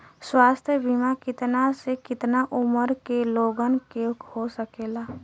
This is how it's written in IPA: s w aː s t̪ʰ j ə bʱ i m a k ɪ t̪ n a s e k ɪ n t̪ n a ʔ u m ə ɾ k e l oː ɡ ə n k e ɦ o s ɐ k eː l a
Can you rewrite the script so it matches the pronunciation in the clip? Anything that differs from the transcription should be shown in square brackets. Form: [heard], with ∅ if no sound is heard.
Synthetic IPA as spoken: s w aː s t̪ʰ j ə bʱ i m a k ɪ t̪ n a s e k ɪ [∅] t̪ n a ʔ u m ə ɾ k e l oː ɡ ə n k e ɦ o s [ə] k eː l a